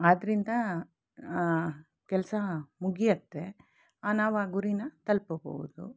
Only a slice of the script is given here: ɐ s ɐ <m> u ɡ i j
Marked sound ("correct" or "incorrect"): correct